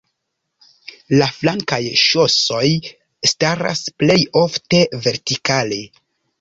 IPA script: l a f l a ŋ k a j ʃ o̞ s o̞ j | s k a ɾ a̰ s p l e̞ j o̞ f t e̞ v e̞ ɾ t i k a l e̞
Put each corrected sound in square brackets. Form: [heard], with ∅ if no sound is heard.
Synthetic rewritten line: l a f l a ŋ k a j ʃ o̞ s o̞ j | s [t] a ɾ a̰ s p l e̞ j o̞ f t e̞ v e̞ ɾ t i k a l e̞